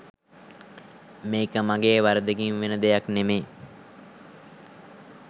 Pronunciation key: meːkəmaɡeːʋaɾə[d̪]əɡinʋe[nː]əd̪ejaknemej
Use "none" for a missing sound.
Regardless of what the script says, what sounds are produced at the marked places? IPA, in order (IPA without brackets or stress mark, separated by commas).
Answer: d̪, n